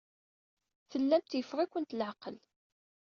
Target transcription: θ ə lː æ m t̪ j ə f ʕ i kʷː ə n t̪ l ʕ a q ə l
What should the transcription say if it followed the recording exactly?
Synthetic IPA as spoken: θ ə lː æ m t̪ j ə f ʁ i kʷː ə n t̪ l ʕ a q ə l